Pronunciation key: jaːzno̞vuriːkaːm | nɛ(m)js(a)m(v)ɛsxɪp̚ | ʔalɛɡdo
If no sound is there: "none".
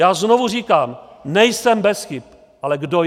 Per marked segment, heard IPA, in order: none, ɛ, b

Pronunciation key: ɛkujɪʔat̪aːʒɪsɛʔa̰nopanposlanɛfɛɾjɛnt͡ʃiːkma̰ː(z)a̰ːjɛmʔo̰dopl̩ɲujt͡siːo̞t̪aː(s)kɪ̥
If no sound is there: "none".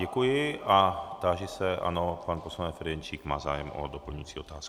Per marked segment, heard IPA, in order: z, s

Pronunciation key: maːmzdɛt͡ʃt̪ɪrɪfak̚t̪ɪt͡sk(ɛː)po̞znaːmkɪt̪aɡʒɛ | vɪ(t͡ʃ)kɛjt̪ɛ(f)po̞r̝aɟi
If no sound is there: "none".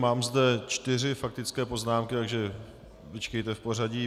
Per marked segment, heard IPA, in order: ɛː, t͡ʃ, f

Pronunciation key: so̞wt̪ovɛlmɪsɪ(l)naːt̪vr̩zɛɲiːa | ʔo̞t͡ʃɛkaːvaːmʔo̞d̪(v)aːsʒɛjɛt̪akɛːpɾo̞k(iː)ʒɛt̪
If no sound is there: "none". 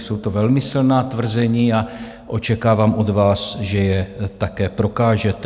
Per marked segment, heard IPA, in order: l, v, aː

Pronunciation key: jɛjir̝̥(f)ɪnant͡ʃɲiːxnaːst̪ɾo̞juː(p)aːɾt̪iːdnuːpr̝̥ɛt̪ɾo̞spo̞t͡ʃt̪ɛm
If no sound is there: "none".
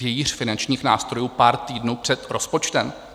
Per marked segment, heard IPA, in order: f, p

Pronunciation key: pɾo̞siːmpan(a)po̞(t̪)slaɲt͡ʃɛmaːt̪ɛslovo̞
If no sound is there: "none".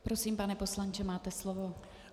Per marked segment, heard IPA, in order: ɛ, none

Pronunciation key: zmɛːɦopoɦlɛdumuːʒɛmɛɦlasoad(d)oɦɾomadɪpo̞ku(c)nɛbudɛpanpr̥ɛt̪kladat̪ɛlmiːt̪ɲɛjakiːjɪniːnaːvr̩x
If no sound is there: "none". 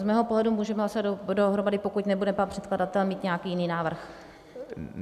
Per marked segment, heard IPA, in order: d, c

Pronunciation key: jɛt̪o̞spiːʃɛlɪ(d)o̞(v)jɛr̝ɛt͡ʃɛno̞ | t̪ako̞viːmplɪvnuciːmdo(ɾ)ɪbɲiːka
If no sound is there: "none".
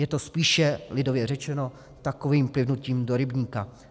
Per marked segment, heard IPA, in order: d, v, ɾ

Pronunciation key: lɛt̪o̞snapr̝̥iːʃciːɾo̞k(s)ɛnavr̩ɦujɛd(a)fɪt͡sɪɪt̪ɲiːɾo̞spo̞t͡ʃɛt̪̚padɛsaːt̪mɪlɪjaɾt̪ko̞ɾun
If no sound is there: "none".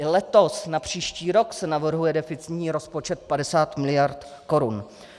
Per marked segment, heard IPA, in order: s, ɛ

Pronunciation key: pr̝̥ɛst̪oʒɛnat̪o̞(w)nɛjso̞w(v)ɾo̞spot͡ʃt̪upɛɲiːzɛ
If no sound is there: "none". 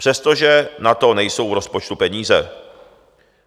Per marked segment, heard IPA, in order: none, v

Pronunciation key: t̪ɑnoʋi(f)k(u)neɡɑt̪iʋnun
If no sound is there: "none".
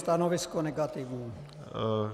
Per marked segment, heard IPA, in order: s, o

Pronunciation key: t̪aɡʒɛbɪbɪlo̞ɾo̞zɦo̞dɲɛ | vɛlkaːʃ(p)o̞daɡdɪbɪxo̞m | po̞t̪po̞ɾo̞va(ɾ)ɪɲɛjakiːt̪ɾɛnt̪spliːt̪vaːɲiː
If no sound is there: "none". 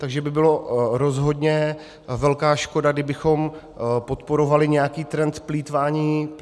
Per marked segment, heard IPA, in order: k, l

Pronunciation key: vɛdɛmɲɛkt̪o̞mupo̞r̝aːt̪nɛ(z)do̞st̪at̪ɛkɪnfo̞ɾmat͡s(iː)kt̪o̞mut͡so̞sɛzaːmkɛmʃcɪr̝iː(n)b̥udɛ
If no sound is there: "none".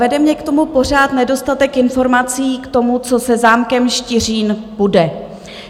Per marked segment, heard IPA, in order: none, iː, n

